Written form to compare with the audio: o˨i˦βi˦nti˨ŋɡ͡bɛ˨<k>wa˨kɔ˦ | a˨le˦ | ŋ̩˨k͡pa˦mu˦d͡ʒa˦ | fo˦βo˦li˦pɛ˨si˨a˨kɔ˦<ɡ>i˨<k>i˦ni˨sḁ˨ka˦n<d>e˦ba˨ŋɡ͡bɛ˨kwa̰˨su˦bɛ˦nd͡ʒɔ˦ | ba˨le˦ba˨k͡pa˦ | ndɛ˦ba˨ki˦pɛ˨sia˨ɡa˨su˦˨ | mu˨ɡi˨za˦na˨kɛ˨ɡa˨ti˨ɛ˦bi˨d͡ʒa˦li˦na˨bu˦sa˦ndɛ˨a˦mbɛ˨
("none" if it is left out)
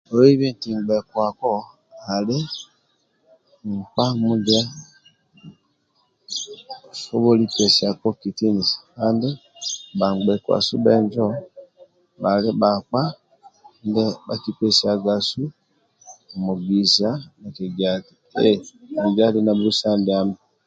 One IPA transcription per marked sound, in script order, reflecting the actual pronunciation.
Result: k, k, t, d

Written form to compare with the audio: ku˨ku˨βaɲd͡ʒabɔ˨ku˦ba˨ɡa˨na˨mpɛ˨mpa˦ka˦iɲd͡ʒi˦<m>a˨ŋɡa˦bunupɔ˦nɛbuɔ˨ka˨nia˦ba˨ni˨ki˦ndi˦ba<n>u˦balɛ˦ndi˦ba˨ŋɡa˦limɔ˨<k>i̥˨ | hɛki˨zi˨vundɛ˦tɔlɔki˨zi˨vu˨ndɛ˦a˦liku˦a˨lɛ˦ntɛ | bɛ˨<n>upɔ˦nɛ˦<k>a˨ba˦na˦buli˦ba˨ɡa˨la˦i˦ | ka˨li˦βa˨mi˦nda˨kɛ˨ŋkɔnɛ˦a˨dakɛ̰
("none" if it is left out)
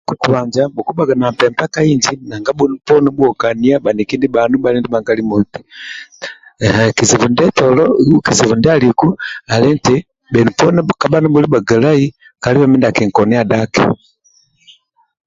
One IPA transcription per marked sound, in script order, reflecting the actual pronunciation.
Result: n, n, t, n, k

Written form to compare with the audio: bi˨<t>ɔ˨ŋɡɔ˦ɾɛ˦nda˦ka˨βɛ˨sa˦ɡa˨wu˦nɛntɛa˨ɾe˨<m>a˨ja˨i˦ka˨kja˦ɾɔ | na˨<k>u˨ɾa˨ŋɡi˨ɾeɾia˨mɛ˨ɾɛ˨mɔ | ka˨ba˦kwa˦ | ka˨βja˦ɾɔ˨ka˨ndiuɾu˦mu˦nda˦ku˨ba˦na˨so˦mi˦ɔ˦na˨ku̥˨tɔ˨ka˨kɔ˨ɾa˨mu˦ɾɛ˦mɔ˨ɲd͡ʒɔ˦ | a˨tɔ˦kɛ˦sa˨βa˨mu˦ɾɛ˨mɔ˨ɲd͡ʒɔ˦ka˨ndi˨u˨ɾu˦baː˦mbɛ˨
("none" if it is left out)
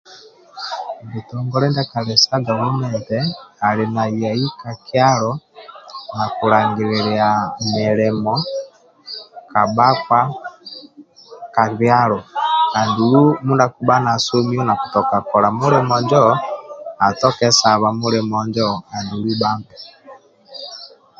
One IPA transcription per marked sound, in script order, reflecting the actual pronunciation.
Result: t, n, k

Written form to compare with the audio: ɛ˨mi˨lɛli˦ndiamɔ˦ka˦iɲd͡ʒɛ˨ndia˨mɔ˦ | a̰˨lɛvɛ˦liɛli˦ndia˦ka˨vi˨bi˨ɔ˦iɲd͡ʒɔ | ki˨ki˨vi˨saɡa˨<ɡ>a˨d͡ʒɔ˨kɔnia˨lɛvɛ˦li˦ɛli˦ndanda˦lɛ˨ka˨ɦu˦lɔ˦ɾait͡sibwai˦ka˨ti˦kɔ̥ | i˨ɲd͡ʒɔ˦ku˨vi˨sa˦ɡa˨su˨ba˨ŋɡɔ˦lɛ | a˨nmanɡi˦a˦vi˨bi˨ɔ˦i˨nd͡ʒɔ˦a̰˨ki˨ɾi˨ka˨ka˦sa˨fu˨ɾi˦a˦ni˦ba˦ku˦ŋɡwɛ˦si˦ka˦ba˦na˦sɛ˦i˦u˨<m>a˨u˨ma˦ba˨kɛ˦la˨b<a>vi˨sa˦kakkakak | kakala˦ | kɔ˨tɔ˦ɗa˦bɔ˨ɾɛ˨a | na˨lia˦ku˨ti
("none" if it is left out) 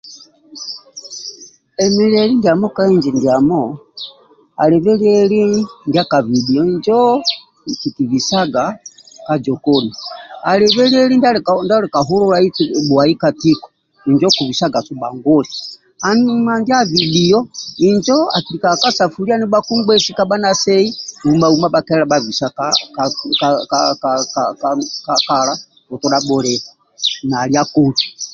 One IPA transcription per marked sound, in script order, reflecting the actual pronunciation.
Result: k, m, a

